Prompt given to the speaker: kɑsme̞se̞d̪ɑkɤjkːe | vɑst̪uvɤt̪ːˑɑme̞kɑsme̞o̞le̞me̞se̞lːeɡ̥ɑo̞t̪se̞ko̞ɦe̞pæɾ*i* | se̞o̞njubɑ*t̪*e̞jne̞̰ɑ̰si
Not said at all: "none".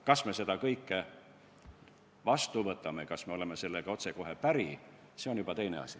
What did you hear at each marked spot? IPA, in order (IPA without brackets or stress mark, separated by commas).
i, t̪